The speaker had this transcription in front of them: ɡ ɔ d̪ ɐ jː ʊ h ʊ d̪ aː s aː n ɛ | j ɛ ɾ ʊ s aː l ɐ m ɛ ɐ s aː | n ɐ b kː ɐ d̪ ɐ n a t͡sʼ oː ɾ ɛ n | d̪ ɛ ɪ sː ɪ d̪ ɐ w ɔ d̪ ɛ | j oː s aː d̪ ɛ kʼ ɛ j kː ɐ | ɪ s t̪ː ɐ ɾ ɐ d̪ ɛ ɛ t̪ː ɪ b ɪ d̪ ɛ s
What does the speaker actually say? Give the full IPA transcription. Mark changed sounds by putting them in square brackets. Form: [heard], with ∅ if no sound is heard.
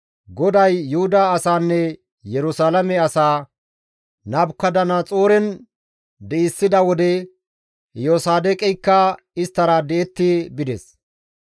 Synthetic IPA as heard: ɡ ɔ d̪ ɐ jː ʊ h ʊ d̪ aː s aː [nː] ɛ | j ɛ ɾ ʊ s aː l ɐ m ɛ ɐ s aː | n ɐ b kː ɐ d̪ ɐ n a t͡sʼ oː ɾ ɛ n | d̪ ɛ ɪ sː ɪ d̪ ɐ w ɔ d̪ ɛ | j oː s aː d̪ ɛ kʼ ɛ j kː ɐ | ɪ s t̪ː ɐ ɾ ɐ d̪ ɛ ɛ t̪ː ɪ b ɪ d̪ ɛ s